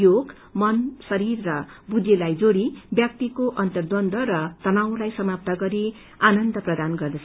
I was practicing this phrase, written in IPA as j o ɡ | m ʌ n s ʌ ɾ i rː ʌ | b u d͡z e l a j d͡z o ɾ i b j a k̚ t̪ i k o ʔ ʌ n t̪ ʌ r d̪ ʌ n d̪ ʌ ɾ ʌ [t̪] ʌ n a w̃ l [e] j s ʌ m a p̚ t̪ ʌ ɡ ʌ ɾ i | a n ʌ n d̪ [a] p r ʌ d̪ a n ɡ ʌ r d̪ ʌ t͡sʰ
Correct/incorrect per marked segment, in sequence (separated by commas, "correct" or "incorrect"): correct, incorrect, incorrect